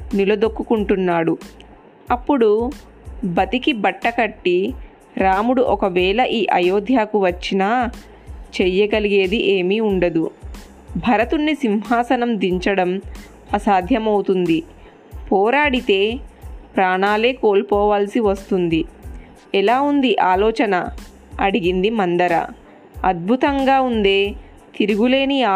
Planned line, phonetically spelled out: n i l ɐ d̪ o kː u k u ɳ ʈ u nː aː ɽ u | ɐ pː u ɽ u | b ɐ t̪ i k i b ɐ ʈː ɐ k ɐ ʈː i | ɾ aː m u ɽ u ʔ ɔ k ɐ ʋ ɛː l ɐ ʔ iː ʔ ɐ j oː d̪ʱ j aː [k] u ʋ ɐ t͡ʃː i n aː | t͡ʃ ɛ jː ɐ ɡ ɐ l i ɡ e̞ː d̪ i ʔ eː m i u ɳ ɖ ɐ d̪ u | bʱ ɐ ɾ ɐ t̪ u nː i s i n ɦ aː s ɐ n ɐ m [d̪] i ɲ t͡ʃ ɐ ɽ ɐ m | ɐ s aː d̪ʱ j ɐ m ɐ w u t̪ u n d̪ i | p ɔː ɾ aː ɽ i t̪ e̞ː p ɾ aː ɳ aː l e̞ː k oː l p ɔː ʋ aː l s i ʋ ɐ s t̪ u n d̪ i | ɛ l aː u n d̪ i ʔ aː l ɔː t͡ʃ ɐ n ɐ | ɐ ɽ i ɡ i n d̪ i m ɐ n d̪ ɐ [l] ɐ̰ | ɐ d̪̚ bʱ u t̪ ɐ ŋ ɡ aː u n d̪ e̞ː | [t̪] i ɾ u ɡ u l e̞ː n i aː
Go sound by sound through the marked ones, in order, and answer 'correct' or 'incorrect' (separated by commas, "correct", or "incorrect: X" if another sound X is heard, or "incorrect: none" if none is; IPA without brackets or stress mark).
correct, correct, incorrect: ɾ, correct